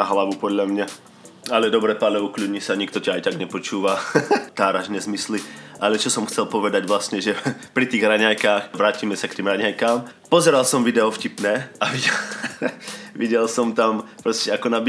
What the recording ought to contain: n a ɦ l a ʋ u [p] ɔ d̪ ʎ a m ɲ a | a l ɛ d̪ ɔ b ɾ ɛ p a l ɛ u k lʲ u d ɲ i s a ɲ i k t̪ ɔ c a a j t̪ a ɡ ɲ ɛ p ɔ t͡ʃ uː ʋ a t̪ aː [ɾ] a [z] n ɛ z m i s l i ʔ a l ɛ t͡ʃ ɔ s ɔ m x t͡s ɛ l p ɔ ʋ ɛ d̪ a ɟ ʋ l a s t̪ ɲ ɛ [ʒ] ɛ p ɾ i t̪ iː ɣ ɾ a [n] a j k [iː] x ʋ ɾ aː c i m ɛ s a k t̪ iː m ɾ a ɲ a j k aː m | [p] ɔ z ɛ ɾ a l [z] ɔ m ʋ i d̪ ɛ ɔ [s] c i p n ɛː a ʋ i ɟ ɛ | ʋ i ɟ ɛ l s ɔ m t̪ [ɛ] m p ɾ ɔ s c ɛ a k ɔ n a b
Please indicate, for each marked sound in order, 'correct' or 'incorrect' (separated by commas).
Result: correct, correct, incorrect, correct, incorrect, incorrect, correct, incorrect, incorrect, incorrect